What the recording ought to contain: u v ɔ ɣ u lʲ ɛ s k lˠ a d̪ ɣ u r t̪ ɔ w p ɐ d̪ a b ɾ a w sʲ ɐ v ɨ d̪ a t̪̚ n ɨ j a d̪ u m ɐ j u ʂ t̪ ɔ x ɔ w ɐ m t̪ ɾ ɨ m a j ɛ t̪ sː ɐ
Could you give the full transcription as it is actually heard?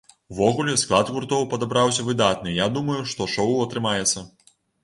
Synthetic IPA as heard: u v ɔ ɣ u lʲ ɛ s k lˠ a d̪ ɣ u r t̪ ɔ w p ɐ d̪ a b ɾ a w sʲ ɐ v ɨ d̪ a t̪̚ n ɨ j a d̪ u m ɐ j u ʂ t̪ ɔ ʂ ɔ w ɐ t̪ ɾ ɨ m a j ɛ t̪ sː ɐ